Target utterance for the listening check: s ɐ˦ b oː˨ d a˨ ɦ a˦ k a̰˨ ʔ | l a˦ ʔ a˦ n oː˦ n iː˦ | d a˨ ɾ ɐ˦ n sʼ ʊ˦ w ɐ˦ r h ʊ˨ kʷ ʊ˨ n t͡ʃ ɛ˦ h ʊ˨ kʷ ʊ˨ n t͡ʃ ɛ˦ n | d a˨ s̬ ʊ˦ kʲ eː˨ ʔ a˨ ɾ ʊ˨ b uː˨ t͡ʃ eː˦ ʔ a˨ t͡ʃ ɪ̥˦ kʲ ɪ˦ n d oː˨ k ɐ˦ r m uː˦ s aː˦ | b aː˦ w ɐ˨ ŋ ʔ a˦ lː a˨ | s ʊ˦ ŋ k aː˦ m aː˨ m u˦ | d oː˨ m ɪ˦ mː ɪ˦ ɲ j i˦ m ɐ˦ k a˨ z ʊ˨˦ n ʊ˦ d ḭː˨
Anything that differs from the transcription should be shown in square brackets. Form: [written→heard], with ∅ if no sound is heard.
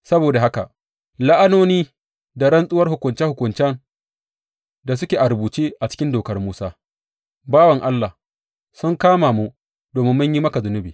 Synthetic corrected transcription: s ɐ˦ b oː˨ d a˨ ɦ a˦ k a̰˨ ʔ | l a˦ ʔ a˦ n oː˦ n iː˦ | d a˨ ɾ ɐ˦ n sʼ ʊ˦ w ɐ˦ r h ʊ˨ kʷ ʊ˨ n t͡ʃ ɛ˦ h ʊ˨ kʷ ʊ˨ n t͡ʃ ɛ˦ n | d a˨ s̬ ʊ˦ kʲ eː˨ ʔ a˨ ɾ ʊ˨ b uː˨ t͡ʃ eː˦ ʔ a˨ t͡ʃ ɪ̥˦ kʲ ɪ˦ n d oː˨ k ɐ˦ r m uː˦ s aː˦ | b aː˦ w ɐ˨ ŋ ʔ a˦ lː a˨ | s ʊ˦ ŋ k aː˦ m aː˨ m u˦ | d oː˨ m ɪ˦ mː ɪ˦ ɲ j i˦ m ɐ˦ k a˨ z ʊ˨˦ n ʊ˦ [d→b] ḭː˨